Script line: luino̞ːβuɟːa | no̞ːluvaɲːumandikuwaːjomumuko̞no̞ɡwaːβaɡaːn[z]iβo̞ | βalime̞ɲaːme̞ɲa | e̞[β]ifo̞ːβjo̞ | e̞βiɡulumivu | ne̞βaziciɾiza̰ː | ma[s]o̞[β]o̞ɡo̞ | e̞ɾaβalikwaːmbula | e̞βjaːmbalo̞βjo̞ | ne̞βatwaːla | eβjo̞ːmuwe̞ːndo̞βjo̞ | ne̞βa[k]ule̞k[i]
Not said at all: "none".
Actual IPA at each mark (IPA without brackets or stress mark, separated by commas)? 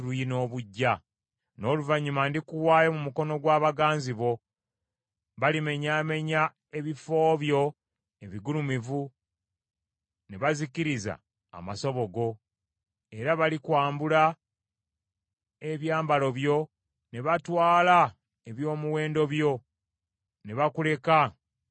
z, β, s, β, k, a